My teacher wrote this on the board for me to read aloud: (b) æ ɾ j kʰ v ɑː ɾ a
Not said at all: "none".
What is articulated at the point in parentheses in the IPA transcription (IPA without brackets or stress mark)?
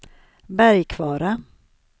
b